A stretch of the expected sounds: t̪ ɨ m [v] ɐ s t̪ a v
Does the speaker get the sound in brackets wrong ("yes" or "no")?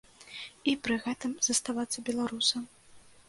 yes